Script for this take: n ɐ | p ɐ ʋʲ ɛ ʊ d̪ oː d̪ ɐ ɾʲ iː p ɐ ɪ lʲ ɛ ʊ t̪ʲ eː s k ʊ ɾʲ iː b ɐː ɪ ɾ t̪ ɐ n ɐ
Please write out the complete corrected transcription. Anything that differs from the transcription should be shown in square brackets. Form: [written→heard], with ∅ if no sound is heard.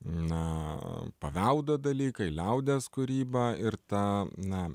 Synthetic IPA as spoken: n ɐ | p ɐ ʋʲ ɛ ʊ d̪ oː d̪ ɐ [ɾʲ→lʲ] iː [p→k] ɐ ɪ lʲ ɛ ʊ [t̪ʲ→d̪ʲ] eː s k ʊ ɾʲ iː b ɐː ɪ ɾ t̪ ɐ n ɐ